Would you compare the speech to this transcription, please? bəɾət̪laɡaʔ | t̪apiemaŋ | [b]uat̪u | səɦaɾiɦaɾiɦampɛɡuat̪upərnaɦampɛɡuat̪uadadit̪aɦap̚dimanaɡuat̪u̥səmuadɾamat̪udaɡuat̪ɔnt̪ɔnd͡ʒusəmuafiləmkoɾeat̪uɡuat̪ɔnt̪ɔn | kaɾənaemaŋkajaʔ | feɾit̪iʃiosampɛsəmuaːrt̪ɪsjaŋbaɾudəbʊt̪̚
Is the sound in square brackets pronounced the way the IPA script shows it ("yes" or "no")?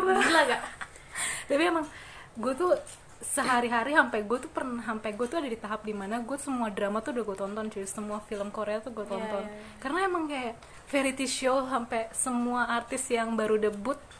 no